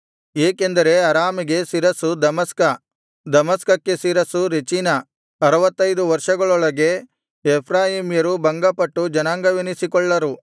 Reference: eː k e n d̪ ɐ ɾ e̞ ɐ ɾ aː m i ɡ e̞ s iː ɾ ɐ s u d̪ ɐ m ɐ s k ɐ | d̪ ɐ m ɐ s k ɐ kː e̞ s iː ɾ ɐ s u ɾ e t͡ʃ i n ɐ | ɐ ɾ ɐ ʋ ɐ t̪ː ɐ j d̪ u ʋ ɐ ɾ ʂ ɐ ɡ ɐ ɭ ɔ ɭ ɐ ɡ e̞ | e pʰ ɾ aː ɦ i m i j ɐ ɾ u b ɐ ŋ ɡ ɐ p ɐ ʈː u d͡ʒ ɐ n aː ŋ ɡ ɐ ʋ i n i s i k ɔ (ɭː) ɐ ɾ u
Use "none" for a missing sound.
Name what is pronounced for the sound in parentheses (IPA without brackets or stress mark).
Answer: ɭː